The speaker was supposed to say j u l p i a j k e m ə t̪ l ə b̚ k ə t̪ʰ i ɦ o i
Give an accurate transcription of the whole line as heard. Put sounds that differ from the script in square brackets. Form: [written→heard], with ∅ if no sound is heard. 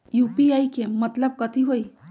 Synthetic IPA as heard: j u [l→∅] p i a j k e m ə t̪ l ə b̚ k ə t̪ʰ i ɦ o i

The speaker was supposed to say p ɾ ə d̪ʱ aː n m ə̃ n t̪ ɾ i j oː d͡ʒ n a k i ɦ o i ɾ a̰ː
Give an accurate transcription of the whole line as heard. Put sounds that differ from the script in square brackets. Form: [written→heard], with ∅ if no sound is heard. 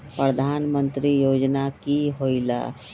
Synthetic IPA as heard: p ɾ ə d̪ʱ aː n m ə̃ n t̪ ɾ i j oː d͡ʒ n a k i ɦ o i [ɾ→l] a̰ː

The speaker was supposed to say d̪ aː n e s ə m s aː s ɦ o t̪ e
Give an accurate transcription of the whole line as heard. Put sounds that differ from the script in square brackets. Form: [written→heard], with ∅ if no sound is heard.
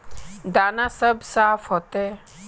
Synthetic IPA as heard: d̪ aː n [e→a] s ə [m→b] s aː [s→f] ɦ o t̪ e

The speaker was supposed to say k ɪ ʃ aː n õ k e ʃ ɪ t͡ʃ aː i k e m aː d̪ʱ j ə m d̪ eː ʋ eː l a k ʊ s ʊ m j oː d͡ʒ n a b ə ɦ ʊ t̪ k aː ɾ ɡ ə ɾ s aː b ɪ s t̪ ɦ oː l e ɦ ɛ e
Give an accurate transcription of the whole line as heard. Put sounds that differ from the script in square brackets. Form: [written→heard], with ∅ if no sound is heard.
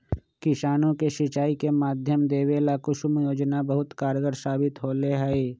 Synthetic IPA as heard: k ɪ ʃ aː n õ k e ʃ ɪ t͡ʃ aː i k e m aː d̪ʱ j ə m d̪ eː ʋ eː l a k ʊ [s→ʃ] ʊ m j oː d͡ʒ n a b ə ɦ ʊ t̪ k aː ɾ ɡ ə ɾ s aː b ɪ [s→∅] t̪ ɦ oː l e ɦ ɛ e

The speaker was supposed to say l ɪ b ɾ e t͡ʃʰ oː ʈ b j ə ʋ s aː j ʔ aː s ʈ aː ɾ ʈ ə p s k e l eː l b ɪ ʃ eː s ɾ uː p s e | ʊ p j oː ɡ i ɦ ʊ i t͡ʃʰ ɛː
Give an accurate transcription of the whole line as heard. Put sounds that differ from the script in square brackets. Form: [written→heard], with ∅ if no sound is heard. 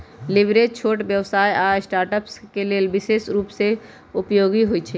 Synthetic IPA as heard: l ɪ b ɾ e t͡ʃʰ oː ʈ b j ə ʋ s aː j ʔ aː s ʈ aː ɾ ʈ ə p s k e l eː l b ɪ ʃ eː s ɾ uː p s e | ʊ p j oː ɡ i ɦ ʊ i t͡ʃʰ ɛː

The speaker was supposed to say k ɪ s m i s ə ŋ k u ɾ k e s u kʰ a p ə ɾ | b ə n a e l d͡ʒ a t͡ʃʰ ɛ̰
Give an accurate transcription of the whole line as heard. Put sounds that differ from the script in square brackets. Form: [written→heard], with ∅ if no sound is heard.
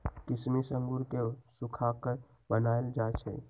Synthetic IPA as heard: k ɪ s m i s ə ŋ [k→ɡ] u ɾ k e s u kʰ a [p→k] ə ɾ | b ə n a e l d͡ʒ a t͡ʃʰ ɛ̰

